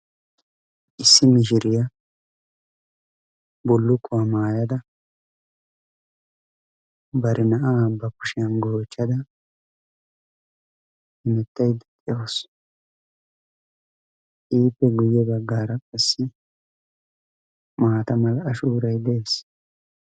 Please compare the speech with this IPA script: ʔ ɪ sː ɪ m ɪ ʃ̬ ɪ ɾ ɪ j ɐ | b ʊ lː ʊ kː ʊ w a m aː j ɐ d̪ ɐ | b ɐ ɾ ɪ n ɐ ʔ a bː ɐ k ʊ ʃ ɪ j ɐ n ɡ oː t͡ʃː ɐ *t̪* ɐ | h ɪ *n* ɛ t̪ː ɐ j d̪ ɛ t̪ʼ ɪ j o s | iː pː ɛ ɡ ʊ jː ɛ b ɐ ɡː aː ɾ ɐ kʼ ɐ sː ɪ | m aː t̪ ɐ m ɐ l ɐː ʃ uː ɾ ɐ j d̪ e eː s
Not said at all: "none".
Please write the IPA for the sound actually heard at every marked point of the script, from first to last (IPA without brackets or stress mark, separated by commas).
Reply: d̪, m